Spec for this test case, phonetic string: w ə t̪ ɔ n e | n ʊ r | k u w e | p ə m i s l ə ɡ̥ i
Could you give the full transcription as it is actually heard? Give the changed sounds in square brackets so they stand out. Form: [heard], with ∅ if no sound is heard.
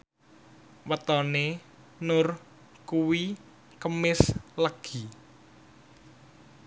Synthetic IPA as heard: w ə t̪ ɔ n e | n ʊ r | k u w [i] | [k] ə m [ɪ] s l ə ɡ̥ i